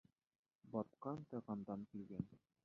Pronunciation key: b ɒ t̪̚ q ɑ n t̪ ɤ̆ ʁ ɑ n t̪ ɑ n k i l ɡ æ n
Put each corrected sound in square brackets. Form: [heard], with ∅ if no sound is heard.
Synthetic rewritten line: b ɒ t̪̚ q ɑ n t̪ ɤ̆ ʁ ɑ n [d̪] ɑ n k i l ɡ æ n